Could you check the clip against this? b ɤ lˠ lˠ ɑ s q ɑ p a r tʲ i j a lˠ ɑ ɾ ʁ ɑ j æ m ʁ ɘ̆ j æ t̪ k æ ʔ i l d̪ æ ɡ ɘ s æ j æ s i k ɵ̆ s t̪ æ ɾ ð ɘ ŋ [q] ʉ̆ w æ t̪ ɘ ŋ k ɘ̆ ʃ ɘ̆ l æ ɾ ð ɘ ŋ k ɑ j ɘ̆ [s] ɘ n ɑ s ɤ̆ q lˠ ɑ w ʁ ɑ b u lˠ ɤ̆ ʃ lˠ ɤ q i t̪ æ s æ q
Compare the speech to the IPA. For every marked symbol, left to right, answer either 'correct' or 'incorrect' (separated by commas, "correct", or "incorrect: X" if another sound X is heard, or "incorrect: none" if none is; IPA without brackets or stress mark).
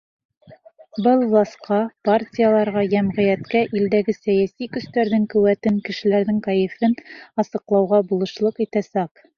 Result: incorrect: k, incorrect: f